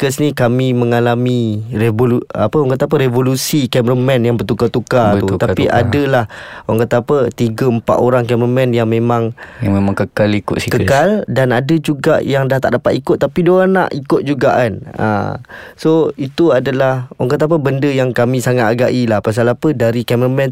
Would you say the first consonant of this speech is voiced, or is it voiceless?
voiceless